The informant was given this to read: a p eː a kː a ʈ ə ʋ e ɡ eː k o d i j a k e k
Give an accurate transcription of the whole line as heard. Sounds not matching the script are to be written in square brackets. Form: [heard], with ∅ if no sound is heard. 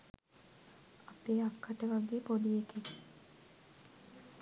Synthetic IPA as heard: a p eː a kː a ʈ ə ʋ [a] ɡ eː [p] o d i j [e] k e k